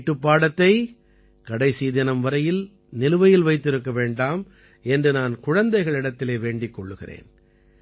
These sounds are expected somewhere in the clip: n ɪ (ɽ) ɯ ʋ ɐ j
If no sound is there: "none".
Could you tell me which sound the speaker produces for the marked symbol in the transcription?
l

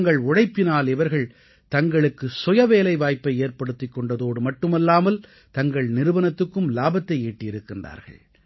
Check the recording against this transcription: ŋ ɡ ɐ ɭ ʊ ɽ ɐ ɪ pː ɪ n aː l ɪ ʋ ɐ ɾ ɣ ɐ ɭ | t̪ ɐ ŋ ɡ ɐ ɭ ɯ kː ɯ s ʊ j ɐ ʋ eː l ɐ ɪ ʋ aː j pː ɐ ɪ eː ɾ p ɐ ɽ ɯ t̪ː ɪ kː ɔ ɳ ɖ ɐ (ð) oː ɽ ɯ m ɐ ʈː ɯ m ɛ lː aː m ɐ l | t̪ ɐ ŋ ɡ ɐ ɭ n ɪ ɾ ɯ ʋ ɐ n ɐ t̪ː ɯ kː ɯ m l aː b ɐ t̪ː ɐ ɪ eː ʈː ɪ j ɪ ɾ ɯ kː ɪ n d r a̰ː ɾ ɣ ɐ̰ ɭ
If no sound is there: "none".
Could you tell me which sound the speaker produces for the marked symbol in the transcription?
ð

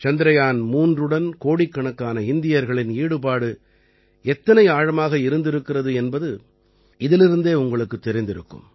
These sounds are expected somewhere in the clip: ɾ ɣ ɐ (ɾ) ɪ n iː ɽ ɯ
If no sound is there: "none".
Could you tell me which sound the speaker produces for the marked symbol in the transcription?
ɭ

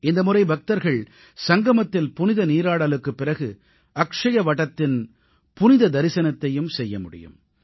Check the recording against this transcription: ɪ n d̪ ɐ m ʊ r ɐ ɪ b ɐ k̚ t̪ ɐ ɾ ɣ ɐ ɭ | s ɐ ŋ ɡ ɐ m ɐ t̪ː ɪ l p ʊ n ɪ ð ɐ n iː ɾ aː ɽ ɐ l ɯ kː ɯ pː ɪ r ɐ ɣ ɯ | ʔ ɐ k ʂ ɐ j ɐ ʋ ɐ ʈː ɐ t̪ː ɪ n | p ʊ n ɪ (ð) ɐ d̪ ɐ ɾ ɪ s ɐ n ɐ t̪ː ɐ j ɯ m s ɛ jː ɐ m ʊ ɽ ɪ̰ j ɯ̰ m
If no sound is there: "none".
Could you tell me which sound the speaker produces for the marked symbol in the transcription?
ð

